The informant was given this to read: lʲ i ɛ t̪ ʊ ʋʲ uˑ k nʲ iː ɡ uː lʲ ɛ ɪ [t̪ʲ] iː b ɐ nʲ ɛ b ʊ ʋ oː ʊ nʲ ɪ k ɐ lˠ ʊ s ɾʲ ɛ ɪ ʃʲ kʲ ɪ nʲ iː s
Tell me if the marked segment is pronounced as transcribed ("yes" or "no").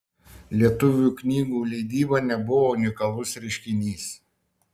no